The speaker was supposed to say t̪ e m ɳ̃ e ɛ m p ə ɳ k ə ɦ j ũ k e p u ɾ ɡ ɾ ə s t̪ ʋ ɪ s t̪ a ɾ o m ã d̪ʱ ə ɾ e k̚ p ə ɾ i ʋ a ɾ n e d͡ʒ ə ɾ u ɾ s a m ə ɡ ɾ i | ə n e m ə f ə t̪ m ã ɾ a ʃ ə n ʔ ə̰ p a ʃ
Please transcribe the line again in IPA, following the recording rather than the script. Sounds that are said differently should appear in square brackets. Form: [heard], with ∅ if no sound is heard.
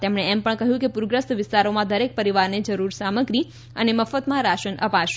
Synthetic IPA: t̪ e m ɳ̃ e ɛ m p ə ɳ k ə ɦ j ũ k e p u ɾ ɡ ɾ ə s t̪ ʋ ɪ s t̪ a ɾ o m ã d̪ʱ ə ɾ e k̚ p ə ɾ i ʋ a ɾ n e d͡ʒ ə ɾ u ɾ s a m ə ɡ ɾ i | ə n e m ə f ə t̪ m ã ɾ a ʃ ə n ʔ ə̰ p a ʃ